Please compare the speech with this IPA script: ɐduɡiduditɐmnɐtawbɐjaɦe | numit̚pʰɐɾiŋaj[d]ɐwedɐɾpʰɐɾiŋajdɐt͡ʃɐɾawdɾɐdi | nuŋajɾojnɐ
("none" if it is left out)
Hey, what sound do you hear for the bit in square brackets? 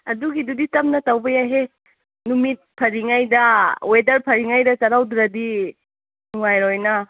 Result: d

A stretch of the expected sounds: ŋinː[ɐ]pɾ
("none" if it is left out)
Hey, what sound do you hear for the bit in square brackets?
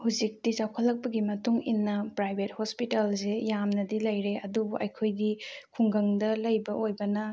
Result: ɐ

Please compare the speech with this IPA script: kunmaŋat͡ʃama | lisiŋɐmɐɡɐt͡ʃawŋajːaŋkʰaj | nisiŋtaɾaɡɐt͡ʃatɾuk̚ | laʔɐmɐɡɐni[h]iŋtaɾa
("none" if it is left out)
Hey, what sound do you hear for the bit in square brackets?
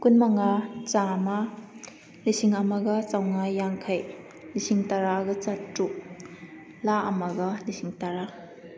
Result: s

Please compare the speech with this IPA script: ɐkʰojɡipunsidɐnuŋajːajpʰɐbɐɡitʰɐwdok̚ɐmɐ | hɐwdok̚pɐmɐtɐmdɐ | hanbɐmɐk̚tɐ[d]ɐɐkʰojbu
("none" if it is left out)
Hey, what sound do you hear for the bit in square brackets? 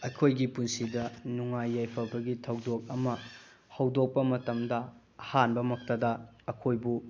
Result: d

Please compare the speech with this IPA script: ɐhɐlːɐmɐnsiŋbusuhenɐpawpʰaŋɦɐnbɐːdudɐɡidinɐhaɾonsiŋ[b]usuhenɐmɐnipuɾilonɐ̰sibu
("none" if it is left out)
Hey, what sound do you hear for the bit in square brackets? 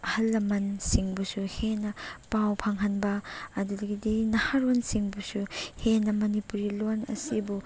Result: b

